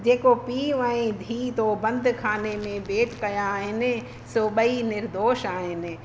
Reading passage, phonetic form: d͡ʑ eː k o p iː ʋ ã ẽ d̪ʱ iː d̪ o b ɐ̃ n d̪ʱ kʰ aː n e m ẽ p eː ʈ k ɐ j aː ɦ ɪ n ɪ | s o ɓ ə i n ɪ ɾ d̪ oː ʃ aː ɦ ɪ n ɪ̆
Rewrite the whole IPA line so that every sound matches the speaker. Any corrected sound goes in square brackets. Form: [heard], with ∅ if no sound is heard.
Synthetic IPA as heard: d͡ʑ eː k o p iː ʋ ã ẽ d̪ʱ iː [t̪] o b ɐ̃ n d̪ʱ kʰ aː n e m ẽ [b] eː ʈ k ɐ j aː ɦ ɪ n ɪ | s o ɓ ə i n ɪ ɾ d̪ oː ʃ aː ɦ ɪ n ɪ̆